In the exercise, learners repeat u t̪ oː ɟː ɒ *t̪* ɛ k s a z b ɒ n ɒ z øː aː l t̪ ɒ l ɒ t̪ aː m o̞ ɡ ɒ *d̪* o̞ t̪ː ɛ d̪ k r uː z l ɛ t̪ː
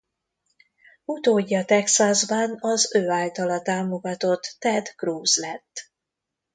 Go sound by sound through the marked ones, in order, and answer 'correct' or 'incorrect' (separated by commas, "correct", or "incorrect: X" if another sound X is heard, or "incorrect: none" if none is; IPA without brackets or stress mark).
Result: correct, incorrect: t̪